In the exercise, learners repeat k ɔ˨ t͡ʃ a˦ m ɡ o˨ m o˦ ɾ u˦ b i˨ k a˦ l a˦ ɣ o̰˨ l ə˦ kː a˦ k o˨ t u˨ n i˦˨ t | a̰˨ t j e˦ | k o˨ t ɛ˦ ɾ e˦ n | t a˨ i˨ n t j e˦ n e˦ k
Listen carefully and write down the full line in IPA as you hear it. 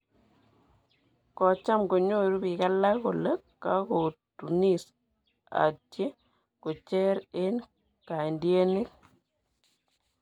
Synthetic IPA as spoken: k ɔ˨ t͡ʃ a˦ m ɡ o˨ ɲ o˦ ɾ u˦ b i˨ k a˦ l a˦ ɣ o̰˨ l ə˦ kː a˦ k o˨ t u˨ n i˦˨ s | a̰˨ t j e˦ | k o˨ t͡ʃ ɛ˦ ɾ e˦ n | k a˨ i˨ n d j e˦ n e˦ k